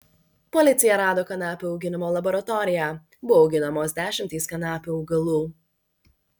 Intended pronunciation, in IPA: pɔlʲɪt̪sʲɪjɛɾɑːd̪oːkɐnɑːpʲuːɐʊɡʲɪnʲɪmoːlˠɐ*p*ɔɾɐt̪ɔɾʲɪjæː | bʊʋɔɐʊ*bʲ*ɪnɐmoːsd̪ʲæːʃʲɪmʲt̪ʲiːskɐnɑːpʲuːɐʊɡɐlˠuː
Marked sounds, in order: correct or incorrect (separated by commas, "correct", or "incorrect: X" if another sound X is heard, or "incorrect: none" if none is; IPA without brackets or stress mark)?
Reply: incorrect: b, incorrect: ɡʲ